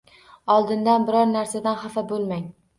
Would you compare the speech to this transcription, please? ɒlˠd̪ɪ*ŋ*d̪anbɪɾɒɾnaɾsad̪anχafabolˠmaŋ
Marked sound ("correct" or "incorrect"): incorrect